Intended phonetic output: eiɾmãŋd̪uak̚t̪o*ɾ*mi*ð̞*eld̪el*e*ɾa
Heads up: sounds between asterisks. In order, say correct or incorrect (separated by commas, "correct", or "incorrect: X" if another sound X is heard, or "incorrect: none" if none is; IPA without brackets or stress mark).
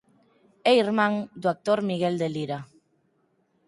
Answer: correct, incorrect: ɣ̞, incorrect: i